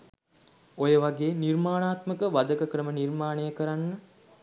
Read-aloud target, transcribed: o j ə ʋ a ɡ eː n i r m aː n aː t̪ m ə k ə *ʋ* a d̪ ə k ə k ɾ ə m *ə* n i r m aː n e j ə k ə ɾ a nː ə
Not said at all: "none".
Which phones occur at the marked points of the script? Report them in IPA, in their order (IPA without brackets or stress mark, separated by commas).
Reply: ʋ, ə